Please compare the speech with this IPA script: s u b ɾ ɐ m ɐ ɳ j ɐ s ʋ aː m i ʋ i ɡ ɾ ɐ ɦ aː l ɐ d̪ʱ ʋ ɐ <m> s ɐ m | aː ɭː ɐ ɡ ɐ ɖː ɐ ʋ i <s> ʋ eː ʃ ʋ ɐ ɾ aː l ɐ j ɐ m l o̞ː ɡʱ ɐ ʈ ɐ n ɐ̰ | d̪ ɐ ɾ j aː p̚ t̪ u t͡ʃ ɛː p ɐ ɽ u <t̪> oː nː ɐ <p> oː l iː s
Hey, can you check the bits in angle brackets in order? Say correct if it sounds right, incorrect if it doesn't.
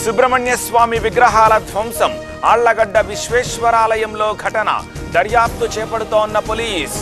correct, incorrect: ʃ, correct, correct

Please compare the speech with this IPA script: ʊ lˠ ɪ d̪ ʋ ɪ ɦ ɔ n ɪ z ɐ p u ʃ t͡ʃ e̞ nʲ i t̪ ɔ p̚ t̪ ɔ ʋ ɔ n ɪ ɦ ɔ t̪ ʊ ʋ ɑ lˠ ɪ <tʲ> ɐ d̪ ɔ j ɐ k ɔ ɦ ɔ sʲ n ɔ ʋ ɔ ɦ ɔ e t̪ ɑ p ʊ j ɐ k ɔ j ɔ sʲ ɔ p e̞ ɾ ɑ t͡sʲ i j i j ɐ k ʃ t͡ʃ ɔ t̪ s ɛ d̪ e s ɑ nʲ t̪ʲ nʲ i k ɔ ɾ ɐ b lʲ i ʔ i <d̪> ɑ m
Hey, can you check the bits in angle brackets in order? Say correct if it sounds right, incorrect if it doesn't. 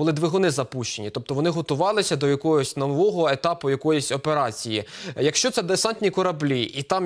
incorrect: sʲ, incorrect: t̪

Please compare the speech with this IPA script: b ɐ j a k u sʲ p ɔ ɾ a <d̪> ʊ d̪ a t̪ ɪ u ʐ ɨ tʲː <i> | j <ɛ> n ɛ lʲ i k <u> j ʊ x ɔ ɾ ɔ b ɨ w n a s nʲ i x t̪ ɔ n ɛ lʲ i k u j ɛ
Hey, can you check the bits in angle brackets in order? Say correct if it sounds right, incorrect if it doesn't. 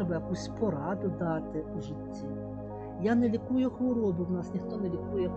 correct, correct, incorrect: a, correct

